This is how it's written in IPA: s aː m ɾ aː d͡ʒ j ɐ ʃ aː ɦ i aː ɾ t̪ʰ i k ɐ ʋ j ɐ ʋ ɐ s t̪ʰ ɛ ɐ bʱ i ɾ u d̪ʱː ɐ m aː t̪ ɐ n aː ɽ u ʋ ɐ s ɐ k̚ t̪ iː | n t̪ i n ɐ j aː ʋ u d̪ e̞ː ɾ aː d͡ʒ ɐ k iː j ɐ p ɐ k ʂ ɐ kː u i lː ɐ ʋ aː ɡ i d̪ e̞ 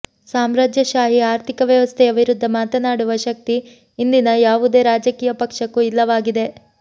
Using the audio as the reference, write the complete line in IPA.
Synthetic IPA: s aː m ɾ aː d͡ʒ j ɐ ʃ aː ɦ i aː ɾ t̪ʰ i k ɐ ʋ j ɐ ʋ ɐ s t̪ʰ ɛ ɐ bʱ i ɾ u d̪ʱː ɐ m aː t̪ ɐ n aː ɽ u ʋ ɐ ʃ ɐ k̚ t̪ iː | n d̪ i n ɐ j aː ʋ u d̪ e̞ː ɾ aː d͡ʒ ɐ k iː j ɐ p ɐ k ʂ ɐ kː u i lː ɐ ʋ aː ɡ i d̪ e̞